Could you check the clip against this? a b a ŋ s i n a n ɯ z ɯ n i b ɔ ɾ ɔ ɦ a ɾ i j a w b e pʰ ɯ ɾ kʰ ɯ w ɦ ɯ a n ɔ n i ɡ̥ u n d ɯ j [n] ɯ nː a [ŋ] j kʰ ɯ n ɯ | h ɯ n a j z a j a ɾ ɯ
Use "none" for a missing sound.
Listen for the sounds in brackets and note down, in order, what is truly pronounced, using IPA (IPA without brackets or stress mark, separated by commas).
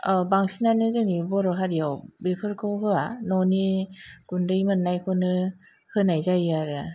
m, none